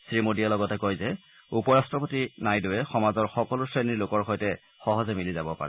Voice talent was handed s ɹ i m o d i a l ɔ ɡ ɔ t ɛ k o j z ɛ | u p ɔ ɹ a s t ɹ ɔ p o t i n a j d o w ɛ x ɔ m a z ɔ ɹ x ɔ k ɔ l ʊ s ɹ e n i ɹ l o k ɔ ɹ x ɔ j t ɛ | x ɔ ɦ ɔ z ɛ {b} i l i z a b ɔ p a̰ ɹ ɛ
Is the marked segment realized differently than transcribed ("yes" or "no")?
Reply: yes